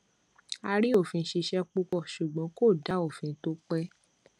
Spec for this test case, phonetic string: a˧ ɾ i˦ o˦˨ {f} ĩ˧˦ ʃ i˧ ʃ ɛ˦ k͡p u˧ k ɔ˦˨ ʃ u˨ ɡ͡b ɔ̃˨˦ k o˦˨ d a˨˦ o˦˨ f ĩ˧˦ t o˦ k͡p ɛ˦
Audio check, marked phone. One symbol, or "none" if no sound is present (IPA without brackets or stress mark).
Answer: f